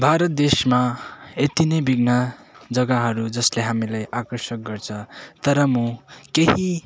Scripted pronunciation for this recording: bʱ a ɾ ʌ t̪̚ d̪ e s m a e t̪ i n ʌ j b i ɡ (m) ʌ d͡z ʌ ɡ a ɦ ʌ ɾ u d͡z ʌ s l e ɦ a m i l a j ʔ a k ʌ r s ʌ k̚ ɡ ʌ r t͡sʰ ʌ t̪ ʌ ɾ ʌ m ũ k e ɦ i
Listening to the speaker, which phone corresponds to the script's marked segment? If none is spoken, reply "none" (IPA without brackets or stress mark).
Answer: n